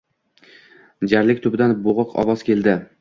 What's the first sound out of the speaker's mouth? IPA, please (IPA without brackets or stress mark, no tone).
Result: d͡ʒ